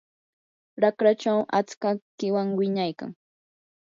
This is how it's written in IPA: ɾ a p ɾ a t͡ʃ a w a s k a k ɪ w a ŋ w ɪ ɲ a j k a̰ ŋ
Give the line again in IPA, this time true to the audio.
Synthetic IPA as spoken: ɾ a k ɾ a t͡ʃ a w a t͡s k a k ɪ w a ŋ w ɪ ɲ a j k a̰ ŋ